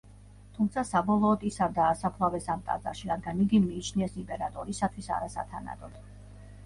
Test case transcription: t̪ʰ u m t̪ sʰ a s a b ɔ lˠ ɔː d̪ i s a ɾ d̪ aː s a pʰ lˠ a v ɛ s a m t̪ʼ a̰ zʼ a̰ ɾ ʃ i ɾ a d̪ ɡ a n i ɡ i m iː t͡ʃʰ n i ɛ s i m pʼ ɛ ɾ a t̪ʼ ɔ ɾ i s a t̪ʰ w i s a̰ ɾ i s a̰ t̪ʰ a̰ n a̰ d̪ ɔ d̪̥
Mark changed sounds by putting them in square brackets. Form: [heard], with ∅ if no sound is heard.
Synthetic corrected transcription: t̪ʰ u m t̪ sʰ a s a b ɔ lˠ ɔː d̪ i s a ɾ d̪ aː s a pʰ lˠ a v ɛ s a m t̪ʼ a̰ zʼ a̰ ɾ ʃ i ɾ a d̪ ɡ a n i ɡ i m iː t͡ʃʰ n i ɛ s i m pʼ ɛ ɾ a t̪ʼ ɔ ɾ i s a t̪ʰ w i s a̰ ɾ [a] s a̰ t̪ʰ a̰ n a̰ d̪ ɔ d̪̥